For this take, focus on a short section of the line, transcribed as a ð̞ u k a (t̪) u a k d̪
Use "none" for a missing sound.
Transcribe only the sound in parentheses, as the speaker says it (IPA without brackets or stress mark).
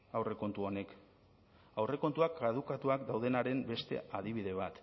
t̪